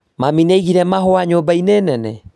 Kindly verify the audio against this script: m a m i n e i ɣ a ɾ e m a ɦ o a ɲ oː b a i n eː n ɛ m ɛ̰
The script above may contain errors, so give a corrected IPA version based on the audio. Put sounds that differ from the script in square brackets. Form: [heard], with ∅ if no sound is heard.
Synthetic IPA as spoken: m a m i n e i ɣ [i] ɾ [ɛ] m a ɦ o a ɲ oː b a i n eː n ɛ [n] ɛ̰